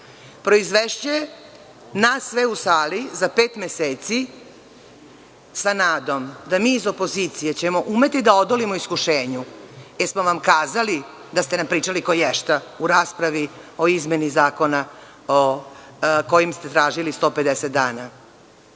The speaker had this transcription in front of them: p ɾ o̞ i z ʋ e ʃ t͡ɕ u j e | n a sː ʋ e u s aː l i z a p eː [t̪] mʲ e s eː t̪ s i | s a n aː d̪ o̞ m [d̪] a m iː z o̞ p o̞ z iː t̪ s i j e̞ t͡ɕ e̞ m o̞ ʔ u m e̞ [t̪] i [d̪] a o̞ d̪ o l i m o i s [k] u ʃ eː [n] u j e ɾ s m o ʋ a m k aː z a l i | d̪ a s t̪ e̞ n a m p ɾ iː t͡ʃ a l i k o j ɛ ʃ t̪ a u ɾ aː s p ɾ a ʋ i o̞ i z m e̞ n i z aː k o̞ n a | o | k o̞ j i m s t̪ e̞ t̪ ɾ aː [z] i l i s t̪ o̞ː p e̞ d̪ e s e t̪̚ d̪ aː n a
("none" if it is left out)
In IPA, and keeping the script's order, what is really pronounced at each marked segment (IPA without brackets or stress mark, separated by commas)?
t̪, d̪, t̪, d̪, k, ɲ, ʒ